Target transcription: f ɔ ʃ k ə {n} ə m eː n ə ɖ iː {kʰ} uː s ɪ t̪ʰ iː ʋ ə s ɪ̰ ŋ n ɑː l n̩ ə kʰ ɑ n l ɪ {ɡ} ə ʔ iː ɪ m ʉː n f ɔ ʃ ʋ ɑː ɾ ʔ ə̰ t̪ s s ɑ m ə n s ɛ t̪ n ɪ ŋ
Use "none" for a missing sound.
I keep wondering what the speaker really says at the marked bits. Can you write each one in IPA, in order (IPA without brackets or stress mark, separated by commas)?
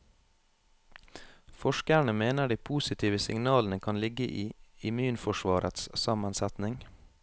ɳ, pʰ, ɡ